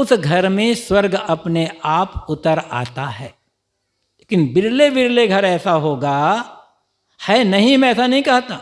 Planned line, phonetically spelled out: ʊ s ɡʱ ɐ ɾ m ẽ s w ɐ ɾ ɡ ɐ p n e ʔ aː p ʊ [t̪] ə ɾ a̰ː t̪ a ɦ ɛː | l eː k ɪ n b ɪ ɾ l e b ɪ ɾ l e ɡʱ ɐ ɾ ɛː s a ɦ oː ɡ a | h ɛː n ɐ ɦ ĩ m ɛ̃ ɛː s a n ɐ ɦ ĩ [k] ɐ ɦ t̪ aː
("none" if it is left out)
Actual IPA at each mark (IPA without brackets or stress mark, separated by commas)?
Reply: t̪, k